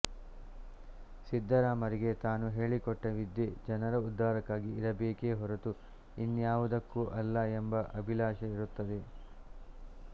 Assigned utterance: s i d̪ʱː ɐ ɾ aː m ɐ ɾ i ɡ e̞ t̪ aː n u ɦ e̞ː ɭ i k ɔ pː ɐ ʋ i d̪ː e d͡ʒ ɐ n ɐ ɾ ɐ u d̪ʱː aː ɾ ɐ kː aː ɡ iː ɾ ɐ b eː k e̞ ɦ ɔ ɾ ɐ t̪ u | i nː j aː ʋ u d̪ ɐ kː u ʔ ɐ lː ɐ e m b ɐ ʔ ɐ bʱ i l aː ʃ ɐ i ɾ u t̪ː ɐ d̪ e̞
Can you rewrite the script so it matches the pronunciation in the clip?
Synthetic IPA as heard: s i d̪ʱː ɐ ɾ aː m ɐ ɾ i ɡ e̞ t̪ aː n u ɦ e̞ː ɭ i k ɔ ʈː ɐ ʋ i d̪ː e d͡ʒ ɐ n ɐ ɾ ɐ u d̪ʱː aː ɾ ɐ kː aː ɡ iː ɾ ɐ b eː k e̞ ɦ ɔ ɾ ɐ t̪ u | i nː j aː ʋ u d̪ ɐ kː u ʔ ɐ lː ɐ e m b ɐ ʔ ɐ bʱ i l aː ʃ ɐ i ɾ u t̪ː ɐ d̪ e̞